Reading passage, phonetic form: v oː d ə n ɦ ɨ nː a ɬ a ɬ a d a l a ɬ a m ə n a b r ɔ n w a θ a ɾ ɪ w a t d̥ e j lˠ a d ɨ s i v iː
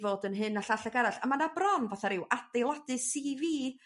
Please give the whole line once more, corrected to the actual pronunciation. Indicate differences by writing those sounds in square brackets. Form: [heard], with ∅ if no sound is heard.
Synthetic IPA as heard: v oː d ə n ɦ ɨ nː a ɬ a ɬ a [ɡ] a [ɾ] a ɬ a m [a] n a b r ɔ n [v] a θ a ɾ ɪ w a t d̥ e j lˠ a d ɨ s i v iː